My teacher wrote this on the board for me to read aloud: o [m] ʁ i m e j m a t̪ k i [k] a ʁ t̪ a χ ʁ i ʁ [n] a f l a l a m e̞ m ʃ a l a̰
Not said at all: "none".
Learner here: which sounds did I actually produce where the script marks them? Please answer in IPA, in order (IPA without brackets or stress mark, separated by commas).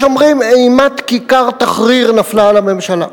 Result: m, k, n